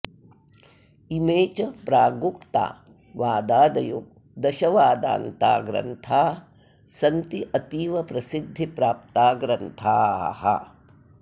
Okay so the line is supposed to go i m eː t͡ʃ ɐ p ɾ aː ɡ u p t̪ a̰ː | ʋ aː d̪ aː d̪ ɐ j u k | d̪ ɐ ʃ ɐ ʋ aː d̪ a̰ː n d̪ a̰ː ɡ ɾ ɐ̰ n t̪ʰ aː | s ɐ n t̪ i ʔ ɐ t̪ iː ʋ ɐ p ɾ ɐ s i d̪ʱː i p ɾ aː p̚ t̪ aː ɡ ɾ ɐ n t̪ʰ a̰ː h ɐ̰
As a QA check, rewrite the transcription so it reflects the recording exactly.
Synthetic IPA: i m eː t͡ʃ ɐ p ɾ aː ɡ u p t̪ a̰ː | ʋ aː d̪ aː d̪ ɐ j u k | d̪ ɐ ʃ ɐ ʋ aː d̪ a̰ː n t̪ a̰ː ɡ ɾ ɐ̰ n t̪ʰ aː | s ɐ n t̪ i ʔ ɐ t̪ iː ʋ ɐ p ɾ ɐ s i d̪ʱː i p ɾ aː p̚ t̪ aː ɡ ɾ ɐ n t̪ʰ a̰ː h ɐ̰

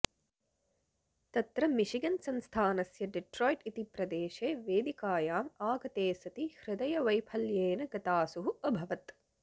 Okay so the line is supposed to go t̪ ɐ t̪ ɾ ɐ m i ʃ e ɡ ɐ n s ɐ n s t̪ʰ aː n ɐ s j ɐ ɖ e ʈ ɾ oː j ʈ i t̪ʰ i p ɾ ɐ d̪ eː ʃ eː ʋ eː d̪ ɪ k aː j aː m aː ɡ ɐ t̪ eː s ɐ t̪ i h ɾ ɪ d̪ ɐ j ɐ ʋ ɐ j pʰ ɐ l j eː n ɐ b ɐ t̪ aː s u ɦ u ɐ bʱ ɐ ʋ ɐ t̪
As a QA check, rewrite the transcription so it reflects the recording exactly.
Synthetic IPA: t̪ ɐ t̪ ɾ ɐ m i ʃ i ɡ ɐ n s ɐ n s t̪ʰ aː n ɐ s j ɐ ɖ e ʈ ɾ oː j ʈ i t̪ i p ɾ ɐ d̪ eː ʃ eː ʋ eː d̪ i k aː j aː m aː ɡ ɐ t̪ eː s ɐ t̪ i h ɾ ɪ d̪ ɐ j ɐ ʋ ɐ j pʰ ɐ l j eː n ɐ ɡ ɐ t̪ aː s u ɦ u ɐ bʱ ɐ ʋ ɐ t̪

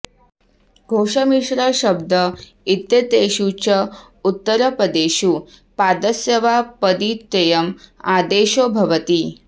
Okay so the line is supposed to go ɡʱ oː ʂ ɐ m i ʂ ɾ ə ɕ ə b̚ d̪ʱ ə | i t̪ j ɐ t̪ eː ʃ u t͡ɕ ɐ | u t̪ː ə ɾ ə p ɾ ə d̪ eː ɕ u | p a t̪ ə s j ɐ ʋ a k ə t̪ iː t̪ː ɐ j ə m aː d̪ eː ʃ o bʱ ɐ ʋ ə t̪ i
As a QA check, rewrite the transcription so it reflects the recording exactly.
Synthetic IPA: ɡʱ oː ʂ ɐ m i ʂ ɾ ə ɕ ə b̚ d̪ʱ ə | i t̪ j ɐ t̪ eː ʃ u t͡ɕ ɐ | u t̪ː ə ɾ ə p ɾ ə d̪ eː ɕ u | p a d̪ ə s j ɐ ʋ a p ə d̪ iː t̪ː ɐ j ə m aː d̪ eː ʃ o bʱ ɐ ʋ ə t̪ i

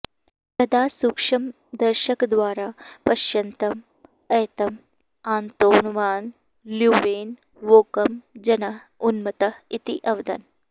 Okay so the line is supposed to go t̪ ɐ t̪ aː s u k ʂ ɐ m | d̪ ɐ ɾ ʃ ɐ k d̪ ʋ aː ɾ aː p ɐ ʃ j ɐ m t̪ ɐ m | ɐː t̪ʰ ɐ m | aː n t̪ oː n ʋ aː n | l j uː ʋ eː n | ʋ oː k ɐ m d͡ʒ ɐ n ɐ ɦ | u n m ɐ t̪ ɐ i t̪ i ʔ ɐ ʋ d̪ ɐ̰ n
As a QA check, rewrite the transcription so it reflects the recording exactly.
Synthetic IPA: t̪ ɐ d̪ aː s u k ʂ ɐ m | d̪ ɐ ɾ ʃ ɐ k d̪ ʋ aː ɾ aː p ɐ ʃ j ɐ n t̪ ɐ m | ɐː t̪ ɐ m | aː n t̪ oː n ʋ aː n | l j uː ʋ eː n | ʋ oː k ɐ m d͡ʒ ɐ n ɐ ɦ | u n m ɐ t̪ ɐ i t̪ i ʔ ɐ ʋ d̪ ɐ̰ n

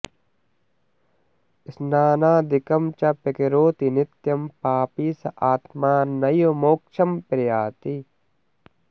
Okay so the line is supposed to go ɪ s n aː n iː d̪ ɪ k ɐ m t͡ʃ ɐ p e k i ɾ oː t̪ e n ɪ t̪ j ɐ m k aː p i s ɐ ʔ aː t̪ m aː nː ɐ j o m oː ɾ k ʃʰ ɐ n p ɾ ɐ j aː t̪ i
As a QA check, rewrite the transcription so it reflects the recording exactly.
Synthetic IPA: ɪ s n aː n aː d̪ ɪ k ɐ m t͡ʃ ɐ p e k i ɾ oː t̪ i n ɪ t̪ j ɐ m p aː p i s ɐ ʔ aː t̪ m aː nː ɐ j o m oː k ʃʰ ɐ m p ɾ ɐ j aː t̪ i

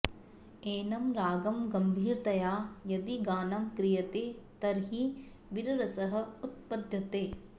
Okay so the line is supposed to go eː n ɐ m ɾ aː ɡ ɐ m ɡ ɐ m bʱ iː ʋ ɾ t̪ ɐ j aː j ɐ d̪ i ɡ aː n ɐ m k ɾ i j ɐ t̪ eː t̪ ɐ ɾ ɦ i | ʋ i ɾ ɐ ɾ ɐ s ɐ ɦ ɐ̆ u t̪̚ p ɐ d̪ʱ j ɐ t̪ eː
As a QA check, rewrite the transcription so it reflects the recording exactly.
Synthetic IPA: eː n ɐ m ɾ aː ɡ ɐ m ɡ ɐ m bʱ iː ɾ t̪ ɐ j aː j ɐ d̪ i ɡ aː n ɐ m k ɾ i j ɐ t̪ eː t̪ ɐ ɾ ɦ i | ʋ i ɾ ɐ ɾ ɐ s ɐ ɦ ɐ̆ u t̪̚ p ɐ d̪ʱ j ɐ t̪ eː

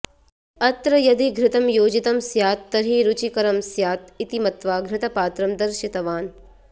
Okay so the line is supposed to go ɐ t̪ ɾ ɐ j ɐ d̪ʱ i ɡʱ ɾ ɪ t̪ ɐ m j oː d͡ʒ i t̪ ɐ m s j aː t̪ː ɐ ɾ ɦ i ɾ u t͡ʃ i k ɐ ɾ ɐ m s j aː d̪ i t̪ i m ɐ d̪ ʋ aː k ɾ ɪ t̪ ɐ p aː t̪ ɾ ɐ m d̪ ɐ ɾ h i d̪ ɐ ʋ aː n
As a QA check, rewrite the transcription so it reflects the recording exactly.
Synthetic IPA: ɐ t̪ ɾ ɐ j ɐ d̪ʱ i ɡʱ ɾ ɪ t̪ ɐ m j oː d͡ʒ i t̪ ɐ m s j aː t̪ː ɐ ɾ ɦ i ɾ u t͡ʃ i k ɐ ɾ ɐ m s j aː t̪ i t̪ i m ɐ t̪ ʋ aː ɡ ɾ ɪ t̪ ɐ p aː t̪ ɾ ɐ m d̪ ɐ ɾ ʃ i t̪ ɐ ʋ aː n

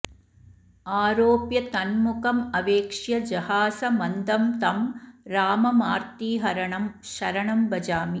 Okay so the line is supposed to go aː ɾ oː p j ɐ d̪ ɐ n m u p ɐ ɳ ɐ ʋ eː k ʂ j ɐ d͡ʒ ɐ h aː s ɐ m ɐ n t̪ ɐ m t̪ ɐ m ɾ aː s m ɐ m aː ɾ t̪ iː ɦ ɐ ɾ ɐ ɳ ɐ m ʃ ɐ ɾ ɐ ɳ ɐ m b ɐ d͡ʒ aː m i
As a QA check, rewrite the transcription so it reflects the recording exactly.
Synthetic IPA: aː ɾ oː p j ɐ t̪ ɐ n m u k ɐ m ɐ ʋ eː k ʂ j ɐ d͡ʒ ɐ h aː s ɐ m ɐ n d̪ ɐ m t̪ ɐ m ɾ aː m ɐ m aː ɾ t̪ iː ɦ ɐ ɾ ɐ ɳ ɐ m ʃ ɐ ɾ ɐ ɳ ɐ m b ɐ d͡ʒ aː m i

